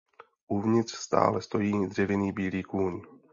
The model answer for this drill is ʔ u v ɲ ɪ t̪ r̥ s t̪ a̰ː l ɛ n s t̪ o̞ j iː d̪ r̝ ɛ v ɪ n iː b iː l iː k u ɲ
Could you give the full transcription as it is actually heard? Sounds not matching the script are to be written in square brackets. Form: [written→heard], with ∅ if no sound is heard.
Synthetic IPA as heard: ʔ u v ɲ ɪ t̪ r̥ s t̪ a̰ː l ɛ [n→∅] s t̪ o̞ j iː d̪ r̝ ɛ v ɪ n iː b iː l iː k [u→uː] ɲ